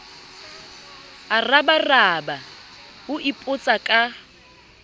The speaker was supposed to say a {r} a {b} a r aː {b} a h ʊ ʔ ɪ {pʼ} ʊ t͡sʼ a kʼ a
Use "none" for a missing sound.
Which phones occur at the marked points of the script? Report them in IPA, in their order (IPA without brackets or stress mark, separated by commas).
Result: r, b, b, pʼ